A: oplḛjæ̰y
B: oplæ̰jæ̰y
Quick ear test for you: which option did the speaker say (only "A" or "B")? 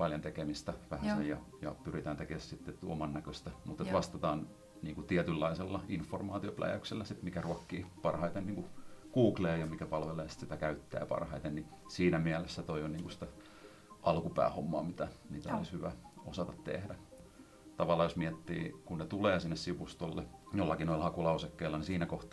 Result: B